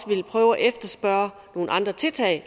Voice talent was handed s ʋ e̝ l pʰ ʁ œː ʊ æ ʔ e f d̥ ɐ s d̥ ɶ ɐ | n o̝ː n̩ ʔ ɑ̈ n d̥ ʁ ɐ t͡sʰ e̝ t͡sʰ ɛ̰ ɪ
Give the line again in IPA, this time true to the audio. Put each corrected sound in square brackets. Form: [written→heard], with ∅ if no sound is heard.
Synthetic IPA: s ʋ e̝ l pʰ ʁ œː ʊ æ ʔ e f d̥ ɐ s [d̥→b̥] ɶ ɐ | n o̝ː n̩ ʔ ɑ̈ n d̥ ʁ ɐ t͡sʰ e̝ t͡sʰ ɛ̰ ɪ